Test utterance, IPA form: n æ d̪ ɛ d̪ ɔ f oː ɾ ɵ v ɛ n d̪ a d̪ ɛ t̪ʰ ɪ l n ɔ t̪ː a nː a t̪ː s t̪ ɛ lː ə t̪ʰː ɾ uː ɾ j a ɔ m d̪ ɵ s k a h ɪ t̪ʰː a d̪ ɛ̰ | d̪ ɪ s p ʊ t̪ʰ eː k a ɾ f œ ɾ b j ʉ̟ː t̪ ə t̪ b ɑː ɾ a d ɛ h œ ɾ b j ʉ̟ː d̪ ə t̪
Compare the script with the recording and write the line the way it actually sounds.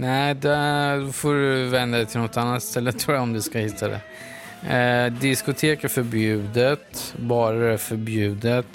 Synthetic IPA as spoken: n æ d̪ ɛ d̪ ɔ f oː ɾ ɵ v ɛ n d̪ a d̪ ɛ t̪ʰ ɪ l n ɔ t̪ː a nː a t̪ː s t̪ ɛ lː ə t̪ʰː ɾ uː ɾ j a ɔ m d̪ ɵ s k a h ɪ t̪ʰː a d̪ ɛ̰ | d̪ ɪ s k ʊ t̪ʰ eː k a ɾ f œ ɾ b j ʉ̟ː d̪ ə t̪ b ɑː ɾ a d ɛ f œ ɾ b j ʉ̟ː d̪ ə t̪